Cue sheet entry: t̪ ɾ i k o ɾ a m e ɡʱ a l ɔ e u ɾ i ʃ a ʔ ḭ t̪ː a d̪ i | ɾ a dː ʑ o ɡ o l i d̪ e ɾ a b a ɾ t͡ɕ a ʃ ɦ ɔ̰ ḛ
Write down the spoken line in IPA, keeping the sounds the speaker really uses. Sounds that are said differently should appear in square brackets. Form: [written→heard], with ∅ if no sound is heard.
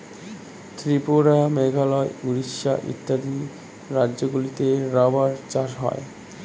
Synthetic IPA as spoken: t̪ ɾ i [k→p] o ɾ a m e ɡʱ a l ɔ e u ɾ i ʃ a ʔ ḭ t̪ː a d̪ i | ɾ a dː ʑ o ɡ [o→u] l i [d̪→t̪] e ɾ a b a ɾ t͡ɕ a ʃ ɦ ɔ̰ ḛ